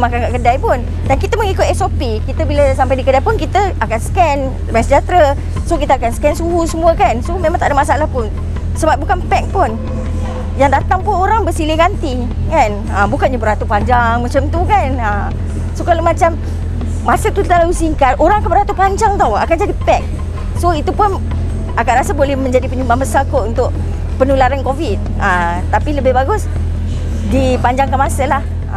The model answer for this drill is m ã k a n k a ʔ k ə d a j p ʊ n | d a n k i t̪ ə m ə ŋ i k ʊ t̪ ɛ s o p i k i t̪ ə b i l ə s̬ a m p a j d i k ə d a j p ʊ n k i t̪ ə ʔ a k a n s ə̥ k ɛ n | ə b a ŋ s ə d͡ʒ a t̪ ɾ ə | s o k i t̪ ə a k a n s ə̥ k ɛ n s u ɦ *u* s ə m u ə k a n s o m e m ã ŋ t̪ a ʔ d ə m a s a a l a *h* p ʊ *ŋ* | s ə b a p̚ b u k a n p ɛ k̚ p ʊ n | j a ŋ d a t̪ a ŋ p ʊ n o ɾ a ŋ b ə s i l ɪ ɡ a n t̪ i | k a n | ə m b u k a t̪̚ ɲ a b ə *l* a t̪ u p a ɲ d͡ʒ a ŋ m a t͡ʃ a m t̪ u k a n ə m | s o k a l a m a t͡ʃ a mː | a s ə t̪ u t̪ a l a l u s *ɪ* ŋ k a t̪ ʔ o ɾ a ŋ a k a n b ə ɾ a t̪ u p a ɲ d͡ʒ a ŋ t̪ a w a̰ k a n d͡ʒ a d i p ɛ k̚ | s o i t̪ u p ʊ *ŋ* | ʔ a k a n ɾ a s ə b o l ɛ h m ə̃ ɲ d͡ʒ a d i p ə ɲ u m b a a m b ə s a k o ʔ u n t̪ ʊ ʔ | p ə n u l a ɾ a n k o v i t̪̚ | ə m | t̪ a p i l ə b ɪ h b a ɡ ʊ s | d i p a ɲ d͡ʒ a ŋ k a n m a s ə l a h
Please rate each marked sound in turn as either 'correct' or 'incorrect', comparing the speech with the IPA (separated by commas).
correct, correct, incorrect, incorrect, incorrect, incorrect